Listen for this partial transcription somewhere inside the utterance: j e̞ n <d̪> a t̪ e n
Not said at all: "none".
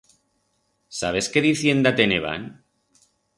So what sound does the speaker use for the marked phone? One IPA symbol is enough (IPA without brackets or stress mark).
d̪